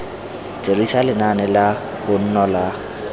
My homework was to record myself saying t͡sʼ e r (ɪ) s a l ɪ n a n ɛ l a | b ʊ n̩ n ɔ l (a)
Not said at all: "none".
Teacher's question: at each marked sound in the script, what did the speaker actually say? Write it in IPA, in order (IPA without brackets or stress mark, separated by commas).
i, a